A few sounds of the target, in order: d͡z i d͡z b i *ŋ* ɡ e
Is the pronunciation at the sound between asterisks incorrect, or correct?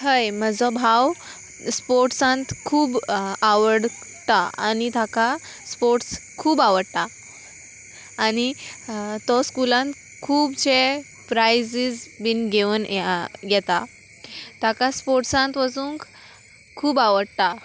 incorrect